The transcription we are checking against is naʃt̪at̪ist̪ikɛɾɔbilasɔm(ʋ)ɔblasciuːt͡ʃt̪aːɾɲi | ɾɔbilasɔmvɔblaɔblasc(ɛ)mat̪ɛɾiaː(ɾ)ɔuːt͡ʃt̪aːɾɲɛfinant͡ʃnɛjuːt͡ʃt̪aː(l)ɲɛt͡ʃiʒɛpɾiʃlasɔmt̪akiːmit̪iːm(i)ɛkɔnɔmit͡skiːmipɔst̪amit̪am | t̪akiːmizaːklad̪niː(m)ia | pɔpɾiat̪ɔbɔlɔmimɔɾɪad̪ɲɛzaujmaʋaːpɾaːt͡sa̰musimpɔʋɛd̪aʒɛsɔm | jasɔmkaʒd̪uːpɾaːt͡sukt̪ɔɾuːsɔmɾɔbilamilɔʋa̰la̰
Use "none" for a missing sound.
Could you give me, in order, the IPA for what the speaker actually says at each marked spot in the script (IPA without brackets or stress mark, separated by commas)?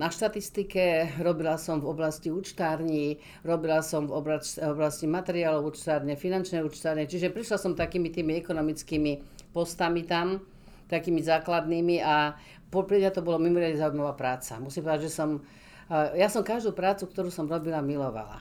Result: v, i, l, ɾ, i, m